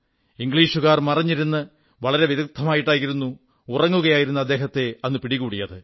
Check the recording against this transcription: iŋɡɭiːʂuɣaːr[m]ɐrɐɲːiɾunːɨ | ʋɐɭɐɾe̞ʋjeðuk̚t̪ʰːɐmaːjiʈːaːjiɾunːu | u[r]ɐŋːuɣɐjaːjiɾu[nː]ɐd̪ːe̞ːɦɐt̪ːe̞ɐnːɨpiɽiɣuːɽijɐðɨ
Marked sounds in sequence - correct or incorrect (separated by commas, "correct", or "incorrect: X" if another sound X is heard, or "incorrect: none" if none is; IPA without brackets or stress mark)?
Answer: correct, correct, correct